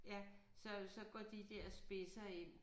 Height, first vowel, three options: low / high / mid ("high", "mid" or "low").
low